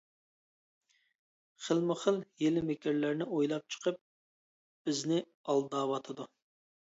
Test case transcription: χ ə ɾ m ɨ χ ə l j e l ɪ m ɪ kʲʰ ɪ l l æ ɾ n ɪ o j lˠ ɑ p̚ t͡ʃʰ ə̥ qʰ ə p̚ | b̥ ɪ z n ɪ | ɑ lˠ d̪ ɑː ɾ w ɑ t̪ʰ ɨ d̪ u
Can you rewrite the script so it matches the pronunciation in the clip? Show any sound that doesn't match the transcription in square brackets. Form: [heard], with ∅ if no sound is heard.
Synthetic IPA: χ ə [l] m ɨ χ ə l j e l ɪ m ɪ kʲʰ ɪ [ɾ] l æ ɾ n ɪ o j lˠ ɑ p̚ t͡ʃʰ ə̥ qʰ ə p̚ | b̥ ɪ z n ɪ | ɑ lˠ d̪ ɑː [∅] w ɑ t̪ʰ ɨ d̪ u